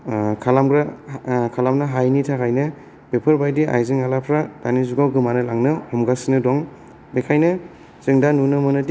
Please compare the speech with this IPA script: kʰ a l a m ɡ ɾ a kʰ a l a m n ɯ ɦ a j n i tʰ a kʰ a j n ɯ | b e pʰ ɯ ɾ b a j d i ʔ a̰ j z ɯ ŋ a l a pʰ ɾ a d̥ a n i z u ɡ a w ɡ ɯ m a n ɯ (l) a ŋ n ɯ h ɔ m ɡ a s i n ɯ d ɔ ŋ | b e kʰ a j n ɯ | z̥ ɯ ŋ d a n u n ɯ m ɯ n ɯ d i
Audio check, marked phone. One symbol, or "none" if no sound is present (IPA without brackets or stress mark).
l